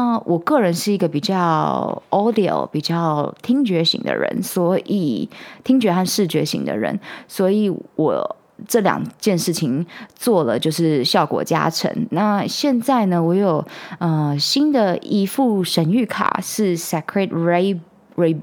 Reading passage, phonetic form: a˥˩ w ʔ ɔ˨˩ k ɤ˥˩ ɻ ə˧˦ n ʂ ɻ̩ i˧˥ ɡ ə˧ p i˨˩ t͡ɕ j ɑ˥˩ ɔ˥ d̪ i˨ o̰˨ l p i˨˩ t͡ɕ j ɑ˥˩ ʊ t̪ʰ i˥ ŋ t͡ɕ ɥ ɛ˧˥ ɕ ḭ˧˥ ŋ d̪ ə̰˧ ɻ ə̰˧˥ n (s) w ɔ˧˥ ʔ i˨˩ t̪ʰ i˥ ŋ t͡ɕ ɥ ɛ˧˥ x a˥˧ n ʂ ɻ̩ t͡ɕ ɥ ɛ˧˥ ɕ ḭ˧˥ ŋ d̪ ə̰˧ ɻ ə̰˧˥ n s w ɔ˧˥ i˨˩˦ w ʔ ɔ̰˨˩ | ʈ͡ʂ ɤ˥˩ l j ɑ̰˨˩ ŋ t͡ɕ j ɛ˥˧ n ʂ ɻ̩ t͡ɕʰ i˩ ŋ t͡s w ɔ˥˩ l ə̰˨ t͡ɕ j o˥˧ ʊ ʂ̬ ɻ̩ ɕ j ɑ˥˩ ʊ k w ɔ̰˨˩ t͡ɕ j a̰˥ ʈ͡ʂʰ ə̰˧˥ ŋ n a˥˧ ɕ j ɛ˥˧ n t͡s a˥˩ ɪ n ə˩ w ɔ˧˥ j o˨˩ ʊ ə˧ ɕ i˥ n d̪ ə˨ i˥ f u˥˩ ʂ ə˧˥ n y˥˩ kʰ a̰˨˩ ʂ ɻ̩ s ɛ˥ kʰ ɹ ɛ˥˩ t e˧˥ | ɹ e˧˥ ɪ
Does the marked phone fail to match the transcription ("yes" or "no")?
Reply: no